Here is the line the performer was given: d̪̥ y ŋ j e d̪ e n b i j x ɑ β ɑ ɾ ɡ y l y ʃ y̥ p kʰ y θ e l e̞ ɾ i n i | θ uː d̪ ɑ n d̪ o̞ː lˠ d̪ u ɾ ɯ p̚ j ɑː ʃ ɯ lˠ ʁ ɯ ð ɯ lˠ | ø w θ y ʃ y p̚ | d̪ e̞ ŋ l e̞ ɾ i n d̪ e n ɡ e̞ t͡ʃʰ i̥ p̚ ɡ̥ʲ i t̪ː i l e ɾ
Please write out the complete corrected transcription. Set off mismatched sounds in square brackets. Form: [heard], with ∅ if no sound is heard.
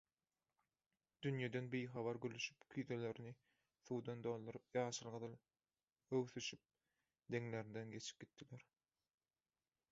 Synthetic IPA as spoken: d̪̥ y [n] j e d̪ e n b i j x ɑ β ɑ ɾ ɡ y l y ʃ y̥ p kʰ y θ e l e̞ ɾ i n i | θ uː d̪ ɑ n d̪ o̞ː lˠ d̪ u ɾ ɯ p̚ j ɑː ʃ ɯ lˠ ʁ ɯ ð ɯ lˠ | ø w θ y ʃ y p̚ | d̪ e̞ ŋ l e̞ ɾ i n d̪ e n ɡ e̞ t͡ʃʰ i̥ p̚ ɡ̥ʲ i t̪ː i l e ɾ